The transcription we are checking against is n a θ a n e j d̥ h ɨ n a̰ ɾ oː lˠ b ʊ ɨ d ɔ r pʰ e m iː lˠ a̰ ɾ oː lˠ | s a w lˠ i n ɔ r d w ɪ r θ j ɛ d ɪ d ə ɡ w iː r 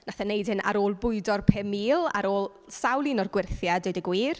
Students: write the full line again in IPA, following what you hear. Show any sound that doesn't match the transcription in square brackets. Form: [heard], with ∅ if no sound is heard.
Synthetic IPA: n a θ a n e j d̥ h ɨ n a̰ ɾ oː lˠ b ʊ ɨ d ɔ r pʰ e m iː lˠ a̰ ɾ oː lˠ | s a w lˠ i n ɔ r [ɡ] w ɪ r θ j [a] d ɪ d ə ɡ w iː r